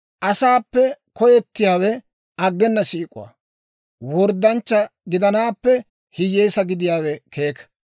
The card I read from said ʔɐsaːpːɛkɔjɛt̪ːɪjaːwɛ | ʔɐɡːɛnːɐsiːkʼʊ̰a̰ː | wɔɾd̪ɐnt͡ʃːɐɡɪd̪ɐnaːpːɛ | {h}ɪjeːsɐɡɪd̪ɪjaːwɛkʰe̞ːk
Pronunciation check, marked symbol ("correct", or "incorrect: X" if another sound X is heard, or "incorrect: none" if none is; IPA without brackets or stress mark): correct